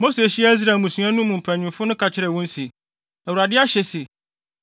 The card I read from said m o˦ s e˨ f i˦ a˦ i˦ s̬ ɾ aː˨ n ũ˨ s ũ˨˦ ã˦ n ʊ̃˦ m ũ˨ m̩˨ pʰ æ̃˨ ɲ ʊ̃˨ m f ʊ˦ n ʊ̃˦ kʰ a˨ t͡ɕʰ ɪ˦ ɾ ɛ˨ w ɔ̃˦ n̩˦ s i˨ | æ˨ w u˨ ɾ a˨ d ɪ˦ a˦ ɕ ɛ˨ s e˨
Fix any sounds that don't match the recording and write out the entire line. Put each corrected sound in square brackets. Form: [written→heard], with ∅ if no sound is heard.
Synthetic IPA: m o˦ s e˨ [f→ɕ] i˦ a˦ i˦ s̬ ɾ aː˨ [n→m] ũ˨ s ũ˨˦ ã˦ n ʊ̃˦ m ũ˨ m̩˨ pʰ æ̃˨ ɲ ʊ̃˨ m f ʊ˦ n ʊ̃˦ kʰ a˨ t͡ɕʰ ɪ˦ ɾ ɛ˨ w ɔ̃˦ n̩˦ s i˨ | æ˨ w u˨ ɾ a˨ d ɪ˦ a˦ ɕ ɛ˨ s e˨

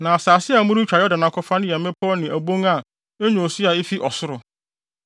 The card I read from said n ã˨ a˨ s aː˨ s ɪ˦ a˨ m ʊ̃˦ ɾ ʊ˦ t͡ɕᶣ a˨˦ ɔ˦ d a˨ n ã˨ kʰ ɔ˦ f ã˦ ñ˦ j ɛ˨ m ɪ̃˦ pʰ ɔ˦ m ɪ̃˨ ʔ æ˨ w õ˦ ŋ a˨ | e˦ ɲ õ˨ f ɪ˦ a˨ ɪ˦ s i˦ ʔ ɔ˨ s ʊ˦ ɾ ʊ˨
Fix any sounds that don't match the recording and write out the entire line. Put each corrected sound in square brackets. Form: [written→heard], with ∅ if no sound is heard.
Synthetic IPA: n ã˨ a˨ s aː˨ s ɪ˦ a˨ m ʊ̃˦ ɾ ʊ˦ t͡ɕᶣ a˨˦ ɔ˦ d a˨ n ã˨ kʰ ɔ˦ f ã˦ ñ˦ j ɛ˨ m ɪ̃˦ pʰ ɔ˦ [m→n] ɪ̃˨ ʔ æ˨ [w→b] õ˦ ŋ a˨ | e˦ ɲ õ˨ [f→s] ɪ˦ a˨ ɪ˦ [s→f] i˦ ʔ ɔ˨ s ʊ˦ ɾ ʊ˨

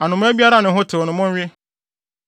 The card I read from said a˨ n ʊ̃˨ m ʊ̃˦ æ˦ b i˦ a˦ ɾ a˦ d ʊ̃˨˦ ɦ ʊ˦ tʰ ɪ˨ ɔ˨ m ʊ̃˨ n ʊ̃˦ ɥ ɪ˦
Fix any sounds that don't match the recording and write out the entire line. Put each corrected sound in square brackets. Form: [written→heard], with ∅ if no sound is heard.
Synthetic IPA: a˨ n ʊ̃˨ m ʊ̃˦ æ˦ b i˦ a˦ ɾ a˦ [d→n] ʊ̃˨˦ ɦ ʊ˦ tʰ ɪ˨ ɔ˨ [m→n] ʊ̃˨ [n→m] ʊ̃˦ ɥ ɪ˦

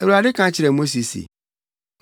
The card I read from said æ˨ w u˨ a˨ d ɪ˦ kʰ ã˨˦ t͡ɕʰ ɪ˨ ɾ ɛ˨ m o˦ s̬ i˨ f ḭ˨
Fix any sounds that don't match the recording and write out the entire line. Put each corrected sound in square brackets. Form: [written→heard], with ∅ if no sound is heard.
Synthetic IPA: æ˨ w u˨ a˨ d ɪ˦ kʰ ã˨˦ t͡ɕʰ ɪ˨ ɾ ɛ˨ m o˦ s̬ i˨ [f→s] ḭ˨

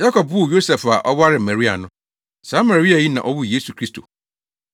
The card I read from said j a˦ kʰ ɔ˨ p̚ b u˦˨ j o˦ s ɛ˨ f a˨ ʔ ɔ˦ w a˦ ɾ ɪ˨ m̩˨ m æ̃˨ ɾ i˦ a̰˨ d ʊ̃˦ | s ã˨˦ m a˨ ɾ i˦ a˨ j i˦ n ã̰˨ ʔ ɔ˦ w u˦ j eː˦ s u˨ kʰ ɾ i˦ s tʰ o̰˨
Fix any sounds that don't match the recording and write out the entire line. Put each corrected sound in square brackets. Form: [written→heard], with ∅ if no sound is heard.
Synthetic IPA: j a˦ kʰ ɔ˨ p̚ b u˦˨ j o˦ s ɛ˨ f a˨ ʔ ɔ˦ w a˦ ɾ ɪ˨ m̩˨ m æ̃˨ ɾ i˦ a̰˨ [d→n] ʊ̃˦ | s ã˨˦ m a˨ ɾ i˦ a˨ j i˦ n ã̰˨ ʔ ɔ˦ w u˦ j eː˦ s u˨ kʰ ɾ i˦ s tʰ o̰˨

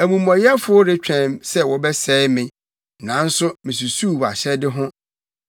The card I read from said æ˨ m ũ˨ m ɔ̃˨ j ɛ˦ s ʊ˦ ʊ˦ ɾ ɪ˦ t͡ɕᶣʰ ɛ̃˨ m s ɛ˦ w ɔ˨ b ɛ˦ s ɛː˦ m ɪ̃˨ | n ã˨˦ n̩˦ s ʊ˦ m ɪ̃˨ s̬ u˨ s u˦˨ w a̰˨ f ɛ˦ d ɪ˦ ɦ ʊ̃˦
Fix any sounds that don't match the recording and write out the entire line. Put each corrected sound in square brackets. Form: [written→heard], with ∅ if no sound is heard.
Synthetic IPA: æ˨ m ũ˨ m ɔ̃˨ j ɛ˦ [s→f] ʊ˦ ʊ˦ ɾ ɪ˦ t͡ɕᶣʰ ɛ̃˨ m s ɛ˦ w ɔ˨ b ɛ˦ s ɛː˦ m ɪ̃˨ | n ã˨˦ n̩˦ s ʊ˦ m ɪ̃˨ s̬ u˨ s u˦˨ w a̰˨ [f→ɕ] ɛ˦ d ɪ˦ ɦ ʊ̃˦

